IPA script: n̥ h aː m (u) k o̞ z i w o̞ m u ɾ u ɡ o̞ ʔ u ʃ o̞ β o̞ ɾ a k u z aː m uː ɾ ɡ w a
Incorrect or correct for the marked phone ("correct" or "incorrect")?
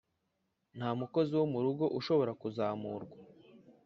correct